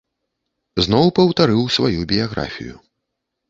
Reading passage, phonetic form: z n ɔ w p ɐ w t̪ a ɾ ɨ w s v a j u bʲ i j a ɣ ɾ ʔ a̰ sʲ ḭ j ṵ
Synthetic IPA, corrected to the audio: z n ɔ w p ɐ w t̪ a ɾ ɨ w s v a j u bʲ i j a ɣ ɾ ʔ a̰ fʲ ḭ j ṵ